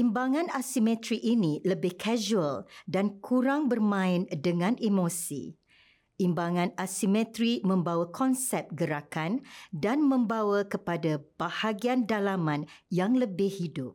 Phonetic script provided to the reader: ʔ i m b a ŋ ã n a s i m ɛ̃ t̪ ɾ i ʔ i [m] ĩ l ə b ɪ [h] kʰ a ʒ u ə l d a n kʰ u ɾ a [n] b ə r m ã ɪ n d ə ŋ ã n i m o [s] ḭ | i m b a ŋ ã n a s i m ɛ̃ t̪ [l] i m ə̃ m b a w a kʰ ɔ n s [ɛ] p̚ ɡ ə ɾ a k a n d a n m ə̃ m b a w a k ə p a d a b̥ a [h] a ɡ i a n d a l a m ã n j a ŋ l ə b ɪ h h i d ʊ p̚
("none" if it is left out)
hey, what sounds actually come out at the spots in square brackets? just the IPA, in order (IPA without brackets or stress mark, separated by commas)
n, h, ŋ, s, ɾ, ɛ, h